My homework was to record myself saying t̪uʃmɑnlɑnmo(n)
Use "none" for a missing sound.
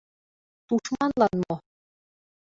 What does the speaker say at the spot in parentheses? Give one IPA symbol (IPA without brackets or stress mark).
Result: none